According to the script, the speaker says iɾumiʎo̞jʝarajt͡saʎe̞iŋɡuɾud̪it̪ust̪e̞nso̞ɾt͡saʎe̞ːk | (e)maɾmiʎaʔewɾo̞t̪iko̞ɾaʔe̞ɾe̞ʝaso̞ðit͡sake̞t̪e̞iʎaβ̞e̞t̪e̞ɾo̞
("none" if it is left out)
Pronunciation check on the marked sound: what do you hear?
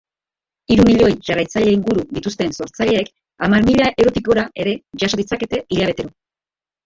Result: a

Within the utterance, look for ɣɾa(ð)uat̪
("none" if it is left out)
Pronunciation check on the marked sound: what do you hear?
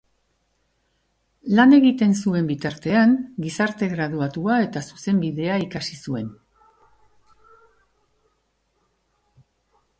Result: ð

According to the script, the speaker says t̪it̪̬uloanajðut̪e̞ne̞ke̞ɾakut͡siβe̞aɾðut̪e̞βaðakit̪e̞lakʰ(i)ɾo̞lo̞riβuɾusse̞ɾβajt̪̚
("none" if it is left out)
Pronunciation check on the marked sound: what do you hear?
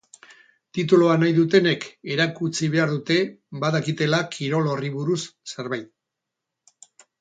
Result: i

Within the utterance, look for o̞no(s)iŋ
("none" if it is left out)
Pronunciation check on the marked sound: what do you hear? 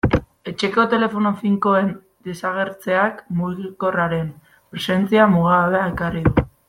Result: f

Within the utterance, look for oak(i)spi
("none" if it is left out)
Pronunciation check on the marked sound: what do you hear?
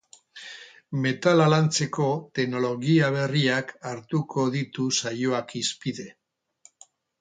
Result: i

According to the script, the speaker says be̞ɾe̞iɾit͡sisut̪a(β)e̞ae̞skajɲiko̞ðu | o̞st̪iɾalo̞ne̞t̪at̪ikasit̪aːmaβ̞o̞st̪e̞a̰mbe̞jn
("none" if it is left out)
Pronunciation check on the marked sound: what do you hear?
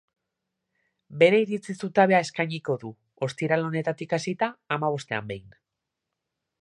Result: β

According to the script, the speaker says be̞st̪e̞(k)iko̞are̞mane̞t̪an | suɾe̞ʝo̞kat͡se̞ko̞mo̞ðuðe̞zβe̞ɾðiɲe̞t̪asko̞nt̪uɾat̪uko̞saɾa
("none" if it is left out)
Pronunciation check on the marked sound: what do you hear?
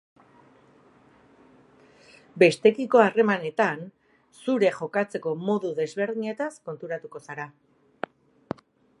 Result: k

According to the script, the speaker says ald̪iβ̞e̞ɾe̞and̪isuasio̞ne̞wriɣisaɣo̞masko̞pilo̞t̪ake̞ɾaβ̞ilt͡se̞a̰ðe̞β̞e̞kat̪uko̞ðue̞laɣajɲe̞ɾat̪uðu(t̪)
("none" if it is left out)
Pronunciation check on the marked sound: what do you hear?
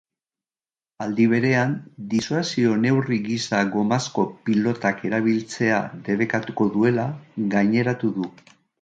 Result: none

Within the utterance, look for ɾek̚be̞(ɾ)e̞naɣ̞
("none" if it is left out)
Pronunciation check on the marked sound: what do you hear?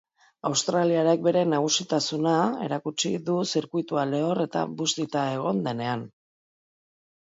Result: ɾ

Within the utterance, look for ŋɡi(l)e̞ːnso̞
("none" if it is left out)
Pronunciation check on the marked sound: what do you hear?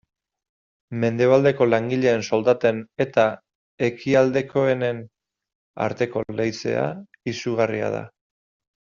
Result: ʎ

